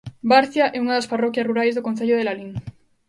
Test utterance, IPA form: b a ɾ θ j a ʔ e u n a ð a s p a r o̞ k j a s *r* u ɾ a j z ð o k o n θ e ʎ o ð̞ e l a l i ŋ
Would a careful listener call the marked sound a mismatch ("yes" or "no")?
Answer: no